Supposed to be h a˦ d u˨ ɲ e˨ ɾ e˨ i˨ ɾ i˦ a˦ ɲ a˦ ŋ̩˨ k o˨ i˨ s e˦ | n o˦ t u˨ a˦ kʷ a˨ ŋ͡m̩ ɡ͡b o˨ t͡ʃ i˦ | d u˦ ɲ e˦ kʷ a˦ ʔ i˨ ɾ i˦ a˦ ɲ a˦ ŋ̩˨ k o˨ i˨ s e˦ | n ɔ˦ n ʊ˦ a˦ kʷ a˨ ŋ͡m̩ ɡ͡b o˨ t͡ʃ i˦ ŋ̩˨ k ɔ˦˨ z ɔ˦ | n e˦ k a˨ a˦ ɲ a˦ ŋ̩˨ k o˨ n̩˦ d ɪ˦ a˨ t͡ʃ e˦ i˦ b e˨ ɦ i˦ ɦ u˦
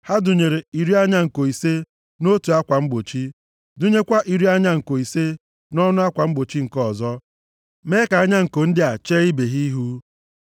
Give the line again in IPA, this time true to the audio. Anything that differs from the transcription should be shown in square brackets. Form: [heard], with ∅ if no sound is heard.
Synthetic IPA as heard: h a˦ d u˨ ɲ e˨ ɾ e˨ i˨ ɾ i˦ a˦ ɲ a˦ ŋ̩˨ k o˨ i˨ s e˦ | n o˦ t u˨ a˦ kʷ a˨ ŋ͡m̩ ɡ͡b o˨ t͡ʃ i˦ | d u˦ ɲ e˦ kʷ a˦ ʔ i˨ ɾ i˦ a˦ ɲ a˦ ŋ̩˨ k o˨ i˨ s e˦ | n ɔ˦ n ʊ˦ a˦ kʷ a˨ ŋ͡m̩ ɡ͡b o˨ t͡ʃ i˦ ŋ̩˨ k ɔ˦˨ z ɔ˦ | [m] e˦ k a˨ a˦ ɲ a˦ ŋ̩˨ k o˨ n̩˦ d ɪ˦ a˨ t͡ʃ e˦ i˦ b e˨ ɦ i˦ ɦ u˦